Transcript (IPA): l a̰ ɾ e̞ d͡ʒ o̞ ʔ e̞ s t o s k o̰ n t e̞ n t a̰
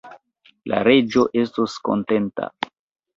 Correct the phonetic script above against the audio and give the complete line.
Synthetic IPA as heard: l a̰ ɾ e̞ d͡ʒ o̞ ʔ e̞ s t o s k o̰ n t e̞ n t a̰